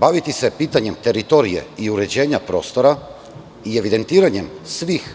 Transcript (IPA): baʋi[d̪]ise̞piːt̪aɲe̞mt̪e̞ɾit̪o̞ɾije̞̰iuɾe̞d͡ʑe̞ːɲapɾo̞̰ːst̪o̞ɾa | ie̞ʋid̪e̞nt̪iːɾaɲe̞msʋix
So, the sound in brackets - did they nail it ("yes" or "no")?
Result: no